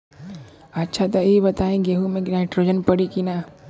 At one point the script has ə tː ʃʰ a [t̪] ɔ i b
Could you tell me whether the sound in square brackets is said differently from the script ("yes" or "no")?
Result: no